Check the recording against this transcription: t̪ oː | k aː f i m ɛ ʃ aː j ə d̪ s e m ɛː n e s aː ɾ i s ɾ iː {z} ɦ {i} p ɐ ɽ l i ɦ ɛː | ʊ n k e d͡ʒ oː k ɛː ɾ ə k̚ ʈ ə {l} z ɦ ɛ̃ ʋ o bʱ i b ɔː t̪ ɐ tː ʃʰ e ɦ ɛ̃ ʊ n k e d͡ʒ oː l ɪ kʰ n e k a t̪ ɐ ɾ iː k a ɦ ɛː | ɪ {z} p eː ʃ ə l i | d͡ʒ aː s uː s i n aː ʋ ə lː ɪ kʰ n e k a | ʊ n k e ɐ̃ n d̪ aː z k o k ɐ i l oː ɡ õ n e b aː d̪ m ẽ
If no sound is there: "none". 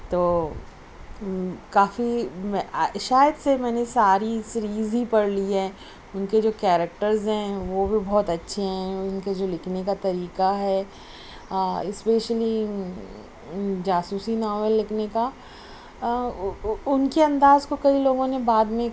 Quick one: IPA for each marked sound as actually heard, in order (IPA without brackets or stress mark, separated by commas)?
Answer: z, i, ɾ, s